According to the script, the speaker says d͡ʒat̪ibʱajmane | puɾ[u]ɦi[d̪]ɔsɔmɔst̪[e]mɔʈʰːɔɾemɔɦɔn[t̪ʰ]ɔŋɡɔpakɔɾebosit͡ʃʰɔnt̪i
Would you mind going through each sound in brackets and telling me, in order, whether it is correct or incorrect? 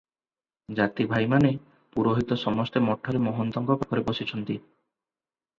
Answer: incorrect: o, incorrect: t̪, correct, incorrect: t̪

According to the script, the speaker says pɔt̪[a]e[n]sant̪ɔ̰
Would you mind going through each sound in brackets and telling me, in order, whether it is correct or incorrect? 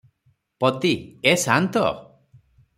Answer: incorrect: i, incorrect: none

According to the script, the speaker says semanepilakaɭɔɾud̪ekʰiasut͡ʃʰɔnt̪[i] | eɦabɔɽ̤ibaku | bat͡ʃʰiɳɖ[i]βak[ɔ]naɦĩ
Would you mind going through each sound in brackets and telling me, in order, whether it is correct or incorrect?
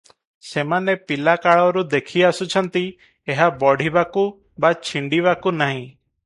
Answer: correct, correct, incorrect: u

